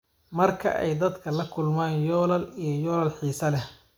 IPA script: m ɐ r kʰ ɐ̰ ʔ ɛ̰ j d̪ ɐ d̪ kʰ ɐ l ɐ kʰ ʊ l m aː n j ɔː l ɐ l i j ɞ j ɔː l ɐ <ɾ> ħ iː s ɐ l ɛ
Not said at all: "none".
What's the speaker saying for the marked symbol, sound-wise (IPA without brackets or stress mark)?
l